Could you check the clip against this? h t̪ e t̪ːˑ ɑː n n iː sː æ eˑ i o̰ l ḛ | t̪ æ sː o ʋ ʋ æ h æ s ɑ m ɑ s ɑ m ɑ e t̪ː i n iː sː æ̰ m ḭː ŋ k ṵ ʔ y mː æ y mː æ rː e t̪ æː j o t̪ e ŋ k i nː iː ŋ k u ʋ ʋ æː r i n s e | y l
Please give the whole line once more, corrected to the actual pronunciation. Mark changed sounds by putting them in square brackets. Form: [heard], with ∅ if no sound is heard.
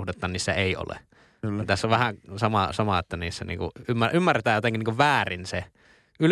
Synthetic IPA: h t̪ e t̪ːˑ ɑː n n iː sː æ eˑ i o̰ l ḛ | t̪ æ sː o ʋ ʋ æ h æ s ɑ m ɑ s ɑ m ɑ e t̪ː [æ] n iː sː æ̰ [n] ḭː ŋ k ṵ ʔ y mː æ y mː æ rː e t̪ æː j o t̪ e ŋ k i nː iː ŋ k u ʋ ʋ æː r i n s e | y l